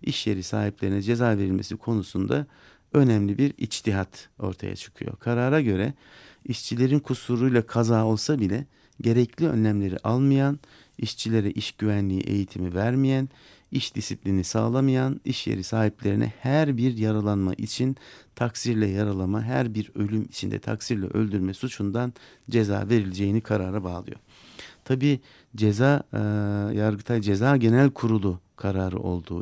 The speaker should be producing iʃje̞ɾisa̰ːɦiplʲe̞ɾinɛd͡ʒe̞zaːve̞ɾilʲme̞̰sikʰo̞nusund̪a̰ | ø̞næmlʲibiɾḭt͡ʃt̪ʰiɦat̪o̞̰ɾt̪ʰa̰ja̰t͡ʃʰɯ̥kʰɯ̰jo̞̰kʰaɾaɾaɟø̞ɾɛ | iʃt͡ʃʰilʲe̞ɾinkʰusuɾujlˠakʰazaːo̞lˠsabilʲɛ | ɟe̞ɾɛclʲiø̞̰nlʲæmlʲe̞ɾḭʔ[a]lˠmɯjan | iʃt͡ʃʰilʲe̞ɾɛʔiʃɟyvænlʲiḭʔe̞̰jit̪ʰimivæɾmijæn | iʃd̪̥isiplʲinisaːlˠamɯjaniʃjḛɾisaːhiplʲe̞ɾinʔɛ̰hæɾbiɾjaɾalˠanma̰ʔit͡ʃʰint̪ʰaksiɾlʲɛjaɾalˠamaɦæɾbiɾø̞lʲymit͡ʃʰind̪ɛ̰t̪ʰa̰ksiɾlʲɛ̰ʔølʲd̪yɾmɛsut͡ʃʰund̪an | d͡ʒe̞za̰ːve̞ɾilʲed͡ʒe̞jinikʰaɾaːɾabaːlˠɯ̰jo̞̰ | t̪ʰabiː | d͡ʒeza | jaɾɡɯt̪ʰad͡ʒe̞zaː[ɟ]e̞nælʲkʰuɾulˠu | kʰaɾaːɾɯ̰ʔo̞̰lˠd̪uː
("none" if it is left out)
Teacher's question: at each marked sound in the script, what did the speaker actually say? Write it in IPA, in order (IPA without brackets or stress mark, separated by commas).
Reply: a, ɟ